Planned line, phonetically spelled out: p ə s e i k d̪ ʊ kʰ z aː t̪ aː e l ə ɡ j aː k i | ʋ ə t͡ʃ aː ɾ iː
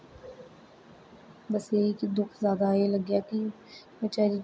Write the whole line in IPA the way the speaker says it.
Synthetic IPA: b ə s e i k d̪ ʊ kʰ z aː d̪ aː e l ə ɡ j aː k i | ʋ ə t͡ʃ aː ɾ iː

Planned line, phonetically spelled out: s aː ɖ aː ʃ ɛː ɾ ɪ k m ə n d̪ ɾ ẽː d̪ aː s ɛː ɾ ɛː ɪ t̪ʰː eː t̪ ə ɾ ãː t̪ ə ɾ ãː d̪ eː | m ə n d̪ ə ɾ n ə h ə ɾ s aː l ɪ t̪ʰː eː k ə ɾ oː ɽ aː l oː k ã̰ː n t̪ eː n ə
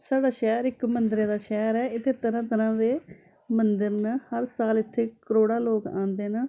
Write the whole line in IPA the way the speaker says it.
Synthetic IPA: s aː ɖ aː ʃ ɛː ɾ ɪ k m ə n d̪ ɾ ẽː d̪ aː ʃ ɛː ɾ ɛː ɪ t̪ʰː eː t̪ ə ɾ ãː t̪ ə ɾ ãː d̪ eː | m ə n d̪ ə ɾ n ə h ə ɾ s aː l ɪ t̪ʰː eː k ə ɾ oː ɽ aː l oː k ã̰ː n d̪ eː n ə

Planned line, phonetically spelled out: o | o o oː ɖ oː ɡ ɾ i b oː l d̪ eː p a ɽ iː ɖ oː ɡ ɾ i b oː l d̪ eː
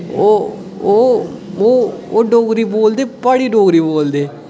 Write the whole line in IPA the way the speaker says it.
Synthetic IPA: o | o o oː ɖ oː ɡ ɾ i b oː l d̪ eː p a ɽ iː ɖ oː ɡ ɾ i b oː l d̪ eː

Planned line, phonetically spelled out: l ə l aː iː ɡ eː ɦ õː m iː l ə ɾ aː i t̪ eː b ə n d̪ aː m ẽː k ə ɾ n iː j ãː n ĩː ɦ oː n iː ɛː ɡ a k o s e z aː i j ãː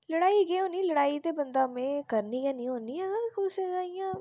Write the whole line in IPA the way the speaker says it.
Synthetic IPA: l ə ɽ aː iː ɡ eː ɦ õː n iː l ə ɽ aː i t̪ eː b ə n d̪ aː m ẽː k ə ɾ n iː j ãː n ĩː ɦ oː n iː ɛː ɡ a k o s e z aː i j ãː

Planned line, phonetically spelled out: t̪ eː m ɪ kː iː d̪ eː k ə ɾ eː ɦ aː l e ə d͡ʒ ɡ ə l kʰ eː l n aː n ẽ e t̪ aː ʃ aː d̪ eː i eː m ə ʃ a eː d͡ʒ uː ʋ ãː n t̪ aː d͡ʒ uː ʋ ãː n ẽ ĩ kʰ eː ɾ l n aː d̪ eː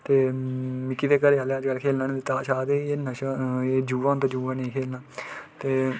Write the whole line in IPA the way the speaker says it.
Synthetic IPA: t̪ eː m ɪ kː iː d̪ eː k ə ɾ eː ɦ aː l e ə d͡ʒ ɡ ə l kʰ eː l n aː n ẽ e t̪ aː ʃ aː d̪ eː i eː n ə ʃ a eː d͡ʒ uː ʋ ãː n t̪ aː d͡ʒ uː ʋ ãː n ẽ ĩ kʰ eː l n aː t̪ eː

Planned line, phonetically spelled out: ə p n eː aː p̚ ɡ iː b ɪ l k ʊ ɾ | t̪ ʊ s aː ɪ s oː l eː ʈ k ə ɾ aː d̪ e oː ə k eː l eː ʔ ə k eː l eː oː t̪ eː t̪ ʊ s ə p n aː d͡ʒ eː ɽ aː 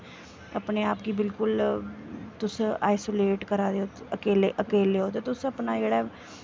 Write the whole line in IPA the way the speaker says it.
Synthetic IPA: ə p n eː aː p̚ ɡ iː b ɪ l k ʊ l | t̪ ʊ s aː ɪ s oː l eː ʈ k ə ɾ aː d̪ e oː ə k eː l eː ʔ ə k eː l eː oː t̪ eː t̪ ʊ s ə p n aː d͡ʒ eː ɽ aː

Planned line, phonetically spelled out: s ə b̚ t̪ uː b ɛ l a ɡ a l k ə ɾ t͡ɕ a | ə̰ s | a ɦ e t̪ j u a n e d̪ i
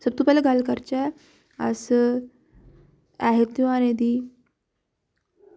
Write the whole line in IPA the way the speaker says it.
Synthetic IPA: s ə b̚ t̪ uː p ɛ l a ɡ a l k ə ɾ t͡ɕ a | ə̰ s | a ɦ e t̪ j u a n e d̪ i

